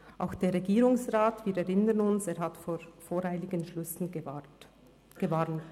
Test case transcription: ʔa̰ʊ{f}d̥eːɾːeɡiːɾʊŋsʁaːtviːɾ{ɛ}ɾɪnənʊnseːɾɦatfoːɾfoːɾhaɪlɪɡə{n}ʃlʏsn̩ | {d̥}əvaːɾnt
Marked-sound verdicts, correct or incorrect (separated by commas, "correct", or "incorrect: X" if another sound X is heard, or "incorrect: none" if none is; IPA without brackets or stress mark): incorrect: x, correct, correct, incorrect: ɡ̥